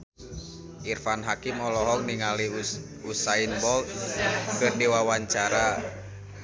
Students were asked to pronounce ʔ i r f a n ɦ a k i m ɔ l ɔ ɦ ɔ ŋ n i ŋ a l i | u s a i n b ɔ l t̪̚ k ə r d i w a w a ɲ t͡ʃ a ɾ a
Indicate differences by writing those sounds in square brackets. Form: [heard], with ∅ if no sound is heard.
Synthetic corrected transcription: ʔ i r f a n ɦ a k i m ɔ l ɔ ɦ ɔ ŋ n i ŋ a l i | u s a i n b ɔ l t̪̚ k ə r d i w a w a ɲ t͡ʃ a ɾ a